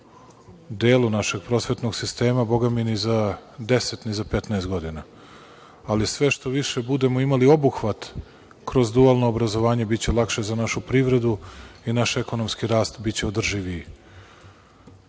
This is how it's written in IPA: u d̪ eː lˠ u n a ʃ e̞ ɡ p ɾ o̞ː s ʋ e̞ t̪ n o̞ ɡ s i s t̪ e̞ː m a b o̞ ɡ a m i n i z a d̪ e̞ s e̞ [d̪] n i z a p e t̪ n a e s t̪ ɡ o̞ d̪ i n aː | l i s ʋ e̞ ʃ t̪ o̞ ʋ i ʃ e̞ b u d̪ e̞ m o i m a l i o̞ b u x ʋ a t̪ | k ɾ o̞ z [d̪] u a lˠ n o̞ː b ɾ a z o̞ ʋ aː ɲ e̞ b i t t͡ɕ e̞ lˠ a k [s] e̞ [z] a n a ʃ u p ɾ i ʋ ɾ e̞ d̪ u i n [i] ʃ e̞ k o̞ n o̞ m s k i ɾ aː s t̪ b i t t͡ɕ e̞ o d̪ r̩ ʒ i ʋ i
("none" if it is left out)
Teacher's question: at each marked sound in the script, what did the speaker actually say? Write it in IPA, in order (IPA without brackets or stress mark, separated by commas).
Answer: t̪, d̪, ʃ, z, a